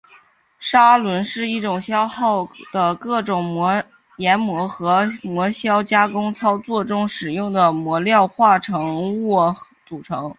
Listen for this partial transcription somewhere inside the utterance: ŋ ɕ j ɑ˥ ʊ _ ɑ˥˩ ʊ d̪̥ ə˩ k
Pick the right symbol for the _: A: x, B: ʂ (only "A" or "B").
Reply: A